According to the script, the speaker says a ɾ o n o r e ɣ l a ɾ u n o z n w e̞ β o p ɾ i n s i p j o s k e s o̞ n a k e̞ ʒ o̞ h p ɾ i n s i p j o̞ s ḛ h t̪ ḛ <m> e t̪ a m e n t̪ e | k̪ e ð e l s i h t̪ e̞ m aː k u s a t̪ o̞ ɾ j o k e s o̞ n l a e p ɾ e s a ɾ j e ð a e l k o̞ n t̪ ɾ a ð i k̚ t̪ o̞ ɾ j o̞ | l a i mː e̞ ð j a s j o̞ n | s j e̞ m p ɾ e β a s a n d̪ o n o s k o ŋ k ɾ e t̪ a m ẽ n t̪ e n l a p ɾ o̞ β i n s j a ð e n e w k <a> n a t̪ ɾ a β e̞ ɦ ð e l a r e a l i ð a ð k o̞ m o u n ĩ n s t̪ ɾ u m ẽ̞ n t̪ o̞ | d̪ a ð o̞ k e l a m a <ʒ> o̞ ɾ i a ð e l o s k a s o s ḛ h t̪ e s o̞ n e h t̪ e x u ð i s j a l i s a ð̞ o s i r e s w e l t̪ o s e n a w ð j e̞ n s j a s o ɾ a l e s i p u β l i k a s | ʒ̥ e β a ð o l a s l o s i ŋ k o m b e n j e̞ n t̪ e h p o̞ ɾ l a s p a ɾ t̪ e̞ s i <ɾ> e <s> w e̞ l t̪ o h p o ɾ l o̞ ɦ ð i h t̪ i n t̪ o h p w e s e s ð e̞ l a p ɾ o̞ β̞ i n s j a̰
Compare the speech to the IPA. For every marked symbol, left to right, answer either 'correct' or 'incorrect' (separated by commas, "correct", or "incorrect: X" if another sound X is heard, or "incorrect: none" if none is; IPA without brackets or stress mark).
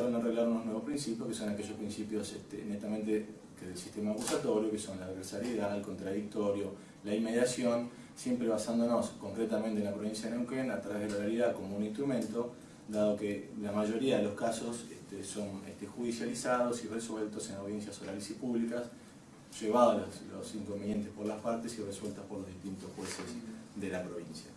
incorrect: n, incorrect: e, correct, incorrect: r, correct